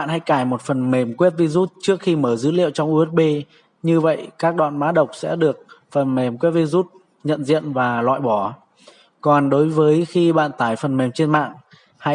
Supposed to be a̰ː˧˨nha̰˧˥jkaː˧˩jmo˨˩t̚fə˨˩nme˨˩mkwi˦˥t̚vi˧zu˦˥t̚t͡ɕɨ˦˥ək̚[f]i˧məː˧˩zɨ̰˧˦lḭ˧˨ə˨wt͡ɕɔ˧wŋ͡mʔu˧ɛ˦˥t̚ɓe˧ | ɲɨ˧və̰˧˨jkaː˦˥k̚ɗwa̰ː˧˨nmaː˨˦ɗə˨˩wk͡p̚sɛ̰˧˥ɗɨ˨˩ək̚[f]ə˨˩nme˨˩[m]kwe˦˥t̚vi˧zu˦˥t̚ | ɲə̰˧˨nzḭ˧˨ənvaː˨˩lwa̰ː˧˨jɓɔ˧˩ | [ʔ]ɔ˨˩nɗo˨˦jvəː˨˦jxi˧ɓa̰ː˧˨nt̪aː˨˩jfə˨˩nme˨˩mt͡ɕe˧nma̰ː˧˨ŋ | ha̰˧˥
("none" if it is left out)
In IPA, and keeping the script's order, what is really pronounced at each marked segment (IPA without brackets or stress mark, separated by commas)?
x, f, m, k